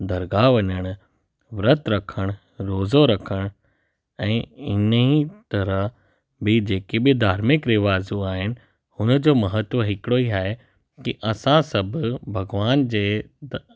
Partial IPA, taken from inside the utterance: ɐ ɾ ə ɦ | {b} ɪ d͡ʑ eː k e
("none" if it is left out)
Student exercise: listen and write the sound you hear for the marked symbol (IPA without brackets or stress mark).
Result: b